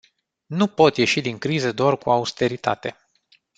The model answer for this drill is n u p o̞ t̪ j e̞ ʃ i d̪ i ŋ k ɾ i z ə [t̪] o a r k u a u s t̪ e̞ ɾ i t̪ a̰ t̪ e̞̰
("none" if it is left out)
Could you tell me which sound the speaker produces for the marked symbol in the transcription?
d̪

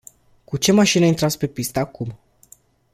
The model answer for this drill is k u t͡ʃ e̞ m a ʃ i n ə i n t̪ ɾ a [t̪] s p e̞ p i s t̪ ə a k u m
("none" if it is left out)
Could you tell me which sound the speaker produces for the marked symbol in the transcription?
t̪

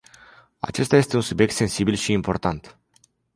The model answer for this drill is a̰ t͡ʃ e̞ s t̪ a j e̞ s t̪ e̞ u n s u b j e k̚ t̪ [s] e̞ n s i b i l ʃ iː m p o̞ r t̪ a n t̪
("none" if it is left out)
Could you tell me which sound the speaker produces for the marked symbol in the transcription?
s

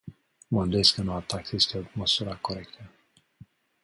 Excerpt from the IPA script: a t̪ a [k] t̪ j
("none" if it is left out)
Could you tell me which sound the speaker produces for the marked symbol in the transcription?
k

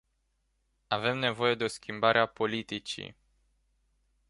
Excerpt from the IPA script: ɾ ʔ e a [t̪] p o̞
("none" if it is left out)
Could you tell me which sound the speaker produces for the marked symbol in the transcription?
none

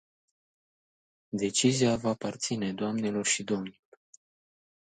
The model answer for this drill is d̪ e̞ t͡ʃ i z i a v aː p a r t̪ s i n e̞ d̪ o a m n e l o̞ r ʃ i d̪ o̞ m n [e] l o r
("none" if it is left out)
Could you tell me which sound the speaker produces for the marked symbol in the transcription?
i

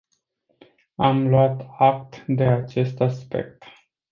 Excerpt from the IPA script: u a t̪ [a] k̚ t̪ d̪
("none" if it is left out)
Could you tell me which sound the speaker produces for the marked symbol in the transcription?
a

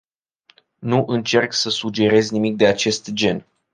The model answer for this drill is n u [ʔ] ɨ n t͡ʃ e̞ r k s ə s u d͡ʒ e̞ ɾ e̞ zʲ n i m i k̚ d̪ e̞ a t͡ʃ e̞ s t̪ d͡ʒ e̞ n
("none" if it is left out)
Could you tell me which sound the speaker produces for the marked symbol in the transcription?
ʔ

